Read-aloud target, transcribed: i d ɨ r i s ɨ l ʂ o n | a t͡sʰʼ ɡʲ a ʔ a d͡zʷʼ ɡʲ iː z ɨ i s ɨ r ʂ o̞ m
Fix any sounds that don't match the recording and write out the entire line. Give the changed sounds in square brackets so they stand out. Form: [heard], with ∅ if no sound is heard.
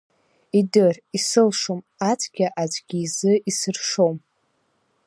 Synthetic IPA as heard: i d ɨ r i s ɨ l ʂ o [m] | a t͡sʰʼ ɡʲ a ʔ a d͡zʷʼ ɡʲ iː z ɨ i s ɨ r ʂ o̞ m